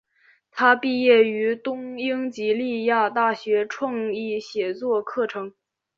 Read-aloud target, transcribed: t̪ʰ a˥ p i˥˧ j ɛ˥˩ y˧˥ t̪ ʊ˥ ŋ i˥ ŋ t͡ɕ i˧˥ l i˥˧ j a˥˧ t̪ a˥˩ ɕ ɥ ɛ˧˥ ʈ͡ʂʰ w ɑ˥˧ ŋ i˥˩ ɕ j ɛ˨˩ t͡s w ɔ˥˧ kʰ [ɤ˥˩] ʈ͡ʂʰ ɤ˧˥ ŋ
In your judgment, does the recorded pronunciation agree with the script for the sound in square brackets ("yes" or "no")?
yes